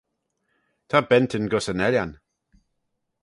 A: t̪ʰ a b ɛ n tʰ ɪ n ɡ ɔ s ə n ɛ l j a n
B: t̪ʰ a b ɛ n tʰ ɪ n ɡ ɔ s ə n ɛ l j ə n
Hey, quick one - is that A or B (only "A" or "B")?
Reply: A